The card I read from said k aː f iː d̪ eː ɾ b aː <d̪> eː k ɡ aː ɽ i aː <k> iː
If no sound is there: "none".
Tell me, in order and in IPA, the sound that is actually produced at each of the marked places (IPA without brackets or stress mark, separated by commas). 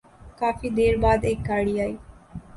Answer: d̪, none